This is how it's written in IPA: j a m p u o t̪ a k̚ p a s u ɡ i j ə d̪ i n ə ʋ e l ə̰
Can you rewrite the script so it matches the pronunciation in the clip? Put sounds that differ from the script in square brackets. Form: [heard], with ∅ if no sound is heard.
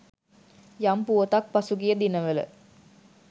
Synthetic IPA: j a m p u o t̪ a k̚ p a s u ɡ i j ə d̪ i n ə ʋ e l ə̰